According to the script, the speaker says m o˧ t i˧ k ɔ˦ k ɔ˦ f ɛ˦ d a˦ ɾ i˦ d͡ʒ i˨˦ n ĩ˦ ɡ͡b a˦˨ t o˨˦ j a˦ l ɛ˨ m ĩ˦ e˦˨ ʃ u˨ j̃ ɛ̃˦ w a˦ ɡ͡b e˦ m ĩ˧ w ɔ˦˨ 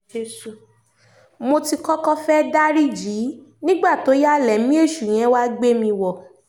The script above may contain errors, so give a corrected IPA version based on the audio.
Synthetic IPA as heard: m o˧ t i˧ k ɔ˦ k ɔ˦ f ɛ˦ d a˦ ɾ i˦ d͡ʒ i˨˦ n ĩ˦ ɡ͡b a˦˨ t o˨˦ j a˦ l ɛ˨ m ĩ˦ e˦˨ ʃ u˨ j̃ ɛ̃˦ w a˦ ɡ͡b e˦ m ĩ˧ w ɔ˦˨